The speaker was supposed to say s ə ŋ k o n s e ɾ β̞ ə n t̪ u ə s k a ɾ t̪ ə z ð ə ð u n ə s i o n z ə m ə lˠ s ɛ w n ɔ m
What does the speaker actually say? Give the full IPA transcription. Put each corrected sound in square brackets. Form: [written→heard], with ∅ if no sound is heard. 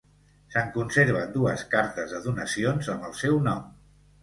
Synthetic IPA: s ə ŋ k [o→u] n s e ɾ β̞ ə n [t̪→d̪] u ə s k a ɾ t̪ ə z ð ə ð u n ə s i o n z ə m ə lˠ s ɛ w n ɔ m